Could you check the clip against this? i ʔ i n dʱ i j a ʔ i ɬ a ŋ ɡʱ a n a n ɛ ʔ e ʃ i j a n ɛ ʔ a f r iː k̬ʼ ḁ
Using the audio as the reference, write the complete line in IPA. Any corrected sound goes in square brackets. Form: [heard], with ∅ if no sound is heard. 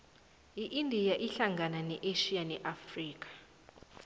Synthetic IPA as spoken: i ʔ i n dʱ i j a ʔ i ɬ a ŋ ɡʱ a n a n ɛ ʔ e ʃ i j a n ɛ ʔ a f r iː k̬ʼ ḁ